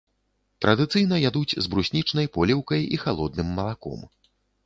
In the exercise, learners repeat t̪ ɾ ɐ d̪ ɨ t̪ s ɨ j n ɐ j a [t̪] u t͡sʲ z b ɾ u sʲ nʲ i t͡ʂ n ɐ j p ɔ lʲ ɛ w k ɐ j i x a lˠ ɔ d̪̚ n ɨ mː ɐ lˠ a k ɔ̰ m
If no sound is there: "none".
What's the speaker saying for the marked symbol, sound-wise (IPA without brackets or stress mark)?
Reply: d̪